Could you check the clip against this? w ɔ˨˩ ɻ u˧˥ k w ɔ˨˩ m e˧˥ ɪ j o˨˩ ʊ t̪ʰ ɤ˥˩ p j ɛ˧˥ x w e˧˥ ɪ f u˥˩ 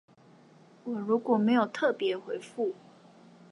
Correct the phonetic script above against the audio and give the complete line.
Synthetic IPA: w ɔ˨˩ ɻ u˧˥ k w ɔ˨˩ m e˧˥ ɪ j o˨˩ ʊ t̪ʰ ɤ˥˩ p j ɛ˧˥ x w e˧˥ ɪ f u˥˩